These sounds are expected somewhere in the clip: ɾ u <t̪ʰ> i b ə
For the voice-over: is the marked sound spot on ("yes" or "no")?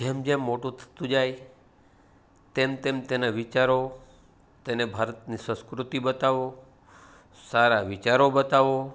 no